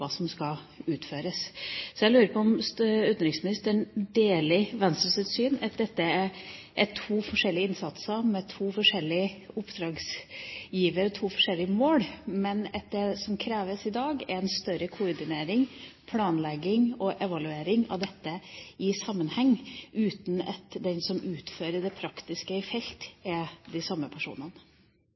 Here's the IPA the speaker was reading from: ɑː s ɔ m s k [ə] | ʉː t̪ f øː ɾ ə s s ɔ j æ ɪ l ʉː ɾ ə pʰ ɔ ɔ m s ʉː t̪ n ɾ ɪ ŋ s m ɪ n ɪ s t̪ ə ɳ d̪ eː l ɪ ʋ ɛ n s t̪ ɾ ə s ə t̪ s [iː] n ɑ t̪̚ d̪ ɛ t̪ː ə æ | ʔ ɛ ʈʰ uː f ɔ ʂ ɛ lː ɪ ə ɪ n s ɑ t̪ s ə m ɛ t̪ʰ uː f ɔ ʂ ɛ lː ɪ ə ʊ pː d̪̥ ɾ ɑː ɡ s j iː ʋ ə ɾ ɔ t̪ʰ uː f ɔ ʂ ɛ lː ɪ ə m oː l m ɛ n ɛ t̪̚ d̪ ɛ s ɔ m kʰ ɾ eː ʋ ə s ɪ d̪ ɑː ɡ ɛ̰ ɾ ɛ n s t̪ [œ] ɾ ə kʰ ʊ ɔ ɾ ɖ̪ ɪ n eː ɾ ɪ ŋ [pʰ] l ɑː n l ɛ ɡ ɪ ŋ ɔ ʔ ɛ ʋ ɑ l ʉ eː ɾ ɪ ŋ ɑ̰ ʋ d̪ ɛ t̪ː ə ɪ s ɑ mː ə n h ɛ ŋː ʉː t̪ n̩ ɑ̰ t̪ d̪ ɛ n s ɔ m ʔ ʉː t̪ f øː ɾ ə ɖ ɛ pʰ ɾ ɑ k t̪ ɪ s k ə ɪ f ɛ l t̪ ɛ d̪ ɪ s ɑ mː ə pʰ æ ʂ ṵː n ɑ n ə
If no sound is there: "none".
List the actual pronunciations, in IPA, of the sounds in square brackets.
ɑ, yː, œ, pʰ

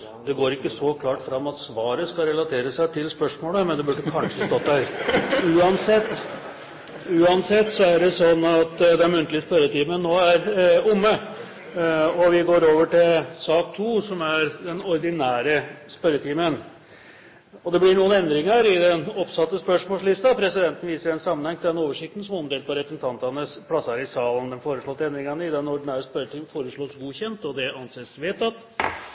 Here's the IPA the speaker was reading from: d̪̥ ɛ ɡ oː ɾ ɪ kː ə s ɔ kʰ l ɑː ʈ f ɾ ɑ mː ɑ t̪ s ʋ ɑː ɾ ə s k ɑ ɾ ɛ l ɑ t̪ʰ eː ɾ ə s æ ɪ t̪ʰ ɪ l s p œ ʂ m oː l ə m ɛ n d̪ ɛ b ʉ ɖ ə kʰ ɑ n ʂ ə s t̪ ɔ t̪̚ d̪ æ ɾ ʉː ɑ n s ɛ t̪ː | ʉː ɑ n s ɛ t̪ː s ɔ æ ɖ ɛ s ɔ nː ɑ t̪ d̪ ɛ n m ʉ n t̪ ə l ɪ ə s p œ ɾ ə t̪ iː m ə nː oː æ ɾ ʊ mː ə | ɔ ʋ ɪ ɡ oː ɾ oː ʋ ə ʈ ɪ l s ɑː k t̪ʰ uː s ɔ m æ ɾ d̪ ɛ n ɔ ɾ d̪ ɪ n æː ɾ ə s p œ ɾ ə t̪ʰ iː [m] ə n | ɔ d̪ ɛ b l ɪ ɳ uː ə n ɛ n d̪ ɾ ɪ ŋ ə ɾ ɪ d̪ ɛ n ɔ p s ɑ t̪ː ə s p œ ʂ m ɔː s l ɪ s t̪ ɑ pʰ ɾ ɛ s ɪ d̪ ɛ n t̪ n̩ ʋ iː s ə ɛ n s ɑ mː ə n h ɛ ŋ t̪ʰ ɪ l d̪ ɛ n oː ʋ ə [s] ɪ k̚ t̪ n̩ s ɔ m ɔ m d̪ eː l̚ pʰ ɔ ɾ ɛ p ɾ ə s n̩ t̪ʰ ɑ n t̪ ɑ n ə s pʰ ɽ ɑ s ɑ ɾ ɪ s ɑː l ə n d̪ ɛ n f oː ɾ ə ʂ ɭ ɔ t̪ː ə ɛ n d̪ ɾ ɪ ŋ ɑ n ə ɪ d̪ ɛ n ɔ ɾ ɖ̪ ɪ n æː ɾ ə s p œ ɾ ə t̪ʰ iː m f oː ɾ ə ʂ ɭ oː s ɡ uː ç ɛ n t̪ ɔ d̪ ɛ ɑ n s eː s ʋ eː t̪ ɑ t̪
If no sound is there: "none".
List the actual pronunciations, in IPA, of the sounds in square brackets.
m, ʂ

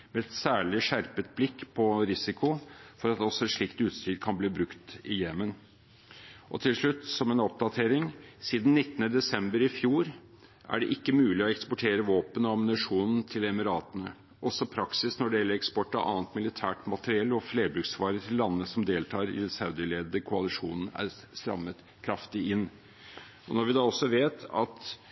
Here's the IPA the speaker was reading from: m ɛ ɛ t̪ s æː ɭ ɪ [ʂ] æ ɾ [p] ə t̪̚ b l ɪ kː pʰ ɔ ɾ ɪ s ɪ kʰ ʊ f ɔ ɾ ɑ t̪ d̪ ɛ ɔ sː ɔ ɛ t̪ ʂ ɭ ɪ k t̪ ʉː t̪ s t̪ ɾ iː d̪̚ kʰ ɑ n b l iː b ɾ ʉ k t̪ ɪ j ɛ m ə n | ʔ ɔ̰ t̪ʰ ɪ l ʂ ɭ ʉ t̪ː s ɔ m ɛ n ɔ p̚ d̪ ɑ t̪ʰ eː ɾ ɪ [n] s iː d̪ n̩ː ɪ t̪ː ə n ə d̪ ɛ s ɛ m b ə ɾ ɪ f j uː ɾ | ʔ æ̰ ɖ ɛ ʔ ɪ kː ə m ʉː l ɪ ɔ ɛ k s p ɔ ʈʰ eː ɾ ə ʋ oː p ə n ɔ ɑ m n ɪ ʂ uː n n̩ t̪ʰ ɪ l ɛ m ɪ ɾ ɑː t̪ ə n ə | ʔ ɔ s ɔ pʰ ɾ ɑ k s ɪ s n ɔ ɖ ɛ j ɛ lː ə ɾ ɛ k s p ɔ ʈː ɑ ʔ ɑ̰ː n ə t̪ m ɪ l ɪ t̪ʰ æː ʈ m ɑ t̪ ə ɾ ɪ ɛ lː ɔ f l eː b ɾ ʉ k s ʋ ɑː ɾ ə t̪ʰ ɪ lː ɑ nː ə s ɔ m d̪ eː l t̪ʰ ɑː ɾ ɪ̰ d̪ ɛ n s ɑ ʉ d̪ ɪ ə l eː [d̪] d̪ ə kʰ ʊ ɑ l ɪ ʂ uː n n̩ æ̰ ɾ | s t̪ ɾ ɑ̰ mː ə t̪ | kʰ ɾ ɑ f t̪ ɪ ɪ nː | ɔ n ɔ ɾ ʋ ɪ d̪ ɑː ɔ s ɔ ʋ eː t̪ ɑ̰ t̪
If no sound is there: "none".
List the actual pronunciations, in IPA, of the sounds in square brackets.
ʂ, p, ŋ, d̪

